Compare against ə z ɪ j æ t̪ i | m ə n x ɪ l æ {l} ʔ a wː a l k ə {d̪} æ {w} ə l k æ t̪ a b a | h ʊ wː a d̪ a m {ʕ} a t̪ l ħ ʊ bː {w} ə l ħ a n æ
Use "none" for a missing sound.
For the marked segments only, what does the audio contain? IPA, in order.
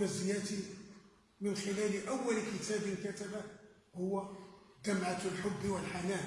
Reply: l, t̪, b, ʕ, w

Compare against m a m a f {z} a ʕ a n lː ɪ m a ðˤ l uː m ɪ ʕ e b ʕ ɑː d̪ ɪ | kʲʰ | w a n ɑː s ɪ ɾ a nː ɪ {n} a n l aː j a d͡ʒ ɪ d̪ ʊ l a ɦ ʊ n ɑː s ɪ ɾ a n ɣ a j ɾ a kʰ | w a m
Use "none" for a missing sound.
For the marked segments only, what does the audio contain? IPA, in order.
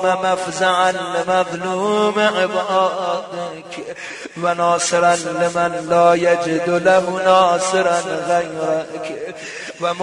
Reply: z, m

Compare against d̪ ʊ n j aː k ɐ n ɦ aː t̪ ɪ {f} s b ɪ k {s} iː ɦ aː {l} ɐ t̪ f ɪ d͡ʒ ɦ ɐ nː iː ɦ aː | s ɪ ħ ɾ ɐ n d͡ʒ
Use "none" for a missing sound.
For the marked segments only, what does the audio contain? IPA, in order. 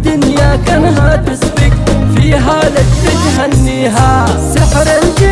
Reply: none, f, l

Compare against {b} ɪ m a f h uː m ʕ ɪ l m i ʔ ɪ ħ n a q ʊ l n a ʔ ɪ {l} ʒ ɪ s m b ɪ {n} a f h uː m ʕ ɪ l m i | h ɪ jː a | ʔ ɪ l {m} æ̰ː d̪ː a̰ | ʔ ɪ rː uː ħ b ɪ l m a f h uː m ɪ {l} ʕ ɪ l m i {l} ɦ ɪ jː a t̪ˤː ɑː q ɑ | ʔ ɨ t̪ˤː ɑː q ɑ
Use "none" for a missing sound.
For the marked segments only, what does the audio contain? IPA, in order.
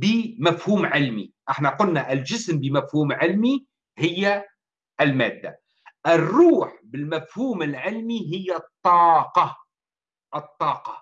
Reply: b, l, m, m, l, none

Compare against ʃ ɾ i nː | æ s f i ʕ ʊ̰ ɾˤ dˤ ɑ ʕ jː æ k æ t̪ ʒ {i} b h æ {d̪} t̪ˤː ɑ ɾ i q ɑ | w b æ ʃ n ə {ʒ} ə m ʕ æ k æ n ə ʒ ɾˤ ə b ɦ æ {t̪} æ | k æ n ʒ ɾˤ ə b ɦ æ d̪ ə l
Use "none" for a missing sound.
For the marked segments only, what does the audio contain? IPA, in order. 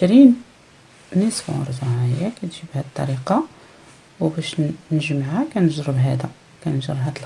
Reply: i, d̪, ʒ, d̪

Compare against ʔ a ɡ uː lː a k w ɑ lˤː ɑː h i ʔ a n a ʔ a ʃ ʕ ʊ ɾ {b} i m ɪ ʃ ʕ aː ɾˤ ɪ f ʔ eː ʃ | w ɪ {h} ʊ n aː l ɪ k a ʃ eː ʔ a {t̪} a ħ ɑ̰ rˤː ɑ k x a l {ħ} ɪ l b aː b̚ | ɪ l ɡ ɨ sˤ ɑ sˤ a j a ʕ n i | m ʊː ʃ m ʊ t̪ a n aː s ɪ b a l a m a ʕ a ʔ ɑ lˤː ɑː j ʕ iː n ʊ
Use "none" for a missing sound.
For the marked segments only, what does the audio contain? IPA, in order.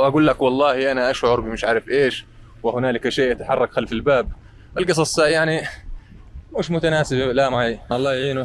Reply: b, h, t̪, f

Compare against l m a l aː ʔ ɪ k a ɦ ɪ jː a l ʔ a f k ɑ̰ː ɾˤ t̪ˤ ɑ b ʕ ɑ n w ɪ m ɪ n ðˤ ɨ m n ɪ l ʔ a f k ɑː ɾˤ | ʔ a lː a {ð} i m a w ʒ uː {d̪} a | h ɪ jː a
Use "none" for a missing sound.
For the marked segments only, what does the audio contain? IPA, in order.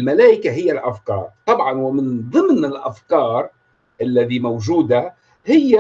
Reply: ð, d̪

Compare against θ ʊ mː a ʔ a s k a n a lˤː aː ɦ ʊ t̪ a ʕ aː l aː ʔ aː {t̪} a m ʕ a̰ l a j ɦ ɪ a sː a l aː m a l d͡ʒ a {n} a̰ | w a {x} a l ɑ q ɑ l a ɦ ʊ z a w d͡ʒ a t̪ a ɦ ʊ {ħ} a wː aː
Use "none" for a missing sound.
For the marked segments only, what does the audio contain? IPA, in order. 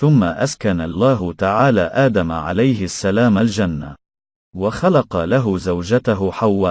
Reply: d̪, nː, x, ħ

